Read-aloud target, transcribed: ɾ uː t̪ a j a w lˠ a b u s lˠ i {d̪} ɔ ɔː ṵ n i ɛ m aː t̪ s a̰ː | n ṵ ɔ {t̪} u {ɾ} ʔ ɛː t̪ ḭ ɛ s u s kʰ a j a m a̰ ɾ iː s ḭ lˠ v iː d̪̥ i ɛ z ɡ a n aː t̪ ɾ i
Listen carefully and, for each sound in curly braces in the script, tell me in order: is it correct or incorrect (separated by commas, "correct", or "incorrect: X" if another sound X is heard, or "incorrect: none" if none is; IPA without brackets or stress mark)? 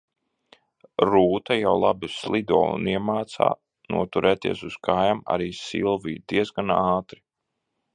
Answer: correct, correct, correct